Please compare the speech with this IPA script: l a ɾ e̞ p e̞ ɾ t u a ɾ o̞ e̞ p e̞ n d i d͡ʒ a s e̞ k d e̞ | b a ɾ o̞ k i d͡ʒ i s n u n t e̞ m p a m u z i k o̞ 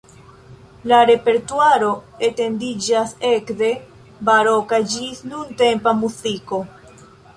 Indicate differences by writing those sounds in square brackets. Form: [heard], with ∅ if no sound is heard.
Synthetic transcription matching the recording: l a ɾ e̞ p e̞ ɾ t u a ɾ o̞ e̞ [t] e̞ n d i d͡ʒ a s e̞ k d e̞ | b a ɾ o̞ k [a] d͡ʒ i s n u n t e̞ m p a m u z i k o̞